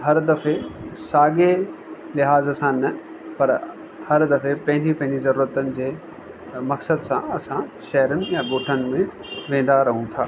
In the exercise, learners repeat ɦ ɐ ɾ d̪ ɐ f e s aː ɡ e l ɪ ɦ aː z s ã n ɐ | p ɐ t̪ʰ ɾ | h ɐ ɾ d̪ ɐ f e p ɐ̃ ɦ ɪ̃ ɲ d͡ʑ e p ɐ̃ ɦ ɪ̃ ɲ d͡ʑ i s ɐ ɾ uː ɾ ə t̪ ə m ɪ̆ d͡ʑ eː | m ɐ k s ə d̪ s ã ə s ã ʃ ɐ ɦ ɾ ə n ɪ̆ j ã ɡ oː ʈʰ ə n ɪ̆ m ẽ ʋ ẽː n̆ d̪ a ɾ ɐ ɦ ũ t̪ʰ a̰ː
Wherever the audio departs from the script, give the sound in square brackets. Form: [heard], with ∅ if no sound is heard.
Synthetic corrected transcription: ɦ ɐ ɾ d̪ ɐ f e s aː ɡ e l ɪ ɦ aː z s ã n ɐ | p ɐ [∅] ɾ | h ɐ ɾ d̪ ɐ f e p ɐ̃ ɦ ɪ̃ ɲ d͡ʑ [i] p ɐ̃ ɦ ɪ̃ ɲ d͡ʑ i [z] ɐ ɾ uː ɾ ə t̪ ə [n] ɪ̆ d͡ʑ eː | m ɐ k s ə d̪ s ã [ɐ] s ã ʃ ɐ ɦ ɾ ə n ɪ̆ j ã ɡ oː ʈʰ ə n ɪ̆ m ẽ ʋ ẽː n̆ d̪ a ɾ ɐ ɦ ũ t̪ʰ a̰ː